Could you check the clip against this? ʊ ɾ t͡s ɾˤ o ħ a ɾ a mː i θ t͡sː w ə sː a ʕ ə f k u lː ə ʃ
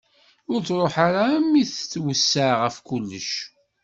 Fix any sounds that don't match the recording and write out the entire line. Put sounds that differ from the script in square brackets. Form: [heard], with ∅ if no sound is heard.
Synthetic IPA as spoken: ʊ ɾ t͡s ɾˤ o ħ a ɾ a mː i θ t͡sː w ə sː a [ʁ] ə f k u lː ə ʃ